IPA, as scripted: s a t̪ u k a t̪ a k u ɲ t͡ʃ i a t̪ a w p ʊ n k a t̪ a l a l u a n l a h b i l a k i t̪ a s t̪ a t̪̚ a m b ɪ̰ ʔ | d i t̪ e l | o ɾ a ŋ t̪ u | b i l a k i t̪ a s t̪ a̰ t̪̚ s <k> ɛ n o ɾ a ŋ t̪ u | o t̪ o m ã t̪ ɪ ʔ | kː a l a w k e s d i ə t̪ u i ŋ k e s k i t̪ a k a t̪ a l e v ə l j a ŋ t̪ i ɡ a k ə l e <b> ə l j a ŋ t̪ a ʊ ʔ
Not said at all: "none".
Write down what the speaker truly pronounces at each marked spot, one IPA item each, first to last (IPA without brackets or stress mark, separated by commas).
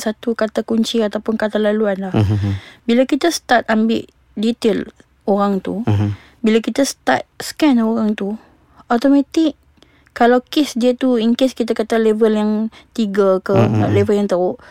k, v